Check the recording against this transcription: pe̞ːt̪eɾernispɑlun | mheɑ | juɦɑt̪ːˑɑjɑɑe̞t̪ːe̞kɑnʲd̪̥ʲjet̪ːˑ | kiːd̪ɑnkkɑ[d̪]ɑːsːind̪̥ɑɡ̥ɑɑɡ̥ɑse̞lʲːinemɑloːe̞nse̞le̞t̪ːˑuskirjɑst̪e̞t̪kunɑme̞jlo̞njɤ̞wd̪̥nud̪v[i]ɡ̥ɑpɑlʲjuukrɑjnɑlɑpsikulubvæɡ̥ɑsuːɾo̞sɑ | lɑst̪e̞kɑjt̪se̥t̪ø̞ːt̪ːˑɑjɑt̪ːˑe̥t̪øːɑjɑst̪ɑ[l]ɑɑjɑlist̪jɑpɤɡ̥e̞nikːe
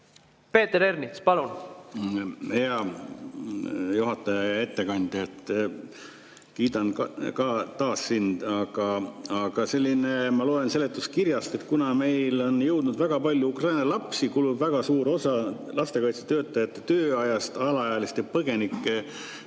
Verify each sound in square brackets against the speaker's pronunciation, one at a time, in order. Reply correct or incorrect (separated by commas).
incorrect, incorrect, correct